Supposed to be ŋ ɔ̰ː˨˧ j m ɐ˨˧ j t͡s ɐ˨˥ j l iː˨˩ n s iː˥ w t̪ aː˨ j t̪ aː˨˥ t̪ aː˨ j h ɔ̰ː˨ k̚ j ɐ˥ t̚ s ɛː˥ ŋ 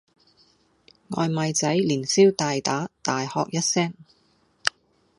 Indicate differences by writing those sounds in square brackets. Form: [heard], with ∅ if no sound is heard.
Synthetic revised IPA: ŋ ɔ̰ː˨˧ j m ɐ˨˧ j t͡s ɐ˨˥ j l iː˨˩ n s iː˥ w t̪ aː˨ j t̪ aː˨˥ t̪ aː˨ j h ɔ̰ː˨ k̚ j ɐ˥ t̚ s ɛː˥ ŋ